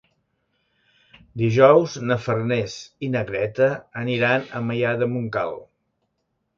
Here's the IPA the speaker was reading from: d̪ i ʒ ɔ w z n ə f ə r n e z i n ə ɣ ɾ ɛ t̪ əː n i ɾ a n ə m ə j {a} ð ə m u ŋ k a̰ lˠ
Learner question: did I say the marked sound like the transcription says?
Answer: yes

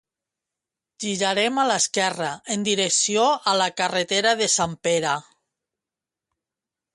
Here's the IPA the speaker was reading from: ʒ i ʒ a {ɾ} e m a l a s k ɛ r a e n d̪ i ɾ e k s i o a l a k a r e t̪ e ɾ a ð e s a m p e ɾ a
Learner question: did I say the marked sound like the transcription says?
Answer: yes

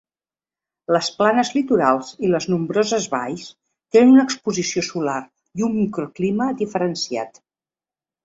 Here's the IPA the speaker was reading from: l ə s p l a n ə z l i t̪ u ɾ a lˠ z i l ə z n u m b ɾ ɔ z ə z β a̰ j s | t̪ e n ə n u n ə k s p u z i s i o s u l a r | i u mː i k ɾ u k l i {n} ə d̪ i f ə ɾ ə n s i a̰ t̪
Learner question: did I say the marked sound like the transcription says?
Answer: no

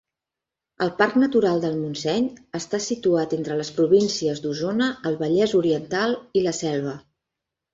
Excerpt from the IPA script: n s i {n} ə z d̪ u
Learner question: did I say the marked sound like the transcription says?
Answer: no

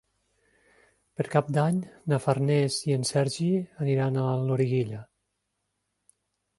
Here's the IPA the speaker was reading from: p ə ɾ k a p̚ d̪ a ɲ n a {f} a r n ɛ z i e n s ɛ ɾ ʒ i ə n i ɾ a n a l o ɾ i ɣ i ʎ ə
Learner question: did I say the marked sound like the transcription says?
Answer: yes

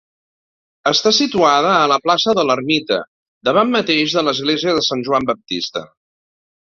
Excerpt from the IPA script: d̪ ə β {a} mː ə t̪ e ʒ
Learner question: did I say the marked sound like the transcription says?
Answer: yes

